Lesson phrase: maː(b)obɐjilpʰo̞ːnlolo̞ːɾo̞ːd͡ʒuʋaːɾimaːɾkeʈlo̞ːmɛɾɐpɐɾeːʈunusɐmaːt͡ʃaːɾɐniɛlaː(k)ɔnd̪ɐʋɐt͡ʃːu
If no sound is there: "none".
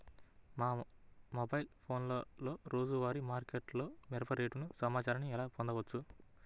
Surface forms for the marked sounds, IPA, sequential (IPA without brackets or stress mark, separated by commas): m, p